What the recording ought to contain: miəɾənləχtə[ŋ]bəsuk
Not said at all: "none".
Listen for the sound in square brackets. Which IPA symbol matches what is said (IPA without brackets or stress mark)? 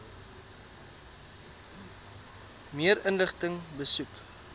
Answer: ŋ